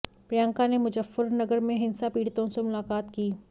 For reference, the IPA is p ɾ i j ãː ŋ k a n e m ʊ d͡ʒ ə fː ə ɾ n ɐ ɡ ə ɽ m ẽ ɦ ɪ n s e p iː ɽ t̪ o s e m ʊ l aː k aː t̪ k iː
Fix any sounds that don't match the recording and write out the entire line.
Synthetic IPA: p ɾ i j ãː ŋ k a n e m ʊ d͡ʒ ə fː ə ɾ n ɐ ɡ ə ɾ m ẽ ɦ ɪ n s a p iː ɽ t̪ õ s e m ʊ l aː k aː t̪ k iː